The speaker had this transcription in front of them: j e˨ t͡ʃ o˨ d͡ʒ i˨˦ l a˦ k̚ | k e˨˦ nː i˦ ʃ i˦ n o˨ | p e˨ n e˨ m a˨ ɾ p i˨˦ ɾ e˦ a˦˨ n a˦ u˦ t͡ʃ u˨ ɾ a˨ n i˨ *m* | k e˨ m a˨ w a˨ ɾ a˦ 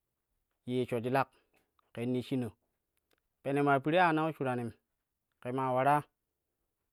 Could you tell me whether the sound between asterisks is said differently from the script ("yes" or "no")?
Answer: no